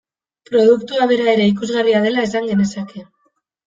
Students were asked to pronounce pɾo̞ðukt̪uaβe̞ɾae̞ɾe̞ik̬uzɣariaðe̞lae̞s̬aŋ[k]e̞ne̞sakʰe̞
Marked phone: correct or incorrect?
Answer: incorrect: ɡ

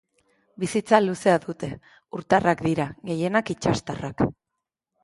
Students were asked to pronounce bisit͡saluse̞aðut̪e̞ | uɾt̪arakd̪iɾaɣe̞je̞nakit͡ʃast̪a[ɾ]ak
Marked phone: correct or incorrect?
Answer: incorrect: r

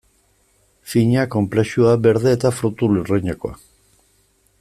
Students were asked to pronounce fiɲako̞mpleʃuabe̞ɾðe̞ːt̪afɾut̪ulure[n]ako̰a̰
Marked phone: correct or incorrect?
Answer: incorrect: ɲ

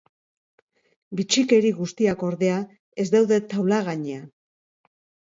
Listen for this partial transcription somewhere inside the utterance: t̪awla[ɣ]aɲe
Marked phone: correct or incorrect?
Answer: correct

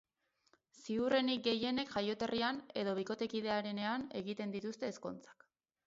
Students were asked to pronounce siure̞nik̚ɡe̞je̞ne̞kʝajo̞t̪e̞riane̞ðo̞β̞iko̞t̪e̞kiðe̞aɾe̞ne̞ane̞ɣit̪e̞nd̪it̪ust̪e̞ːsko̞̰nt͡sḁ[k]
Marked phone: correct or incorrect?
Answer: correct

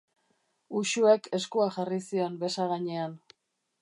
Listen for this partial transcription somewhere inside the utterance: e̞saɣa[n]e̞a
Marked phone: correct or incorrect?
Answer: incorrect: ɲ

